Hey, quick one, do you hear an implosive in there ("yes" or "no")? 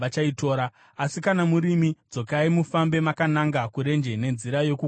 no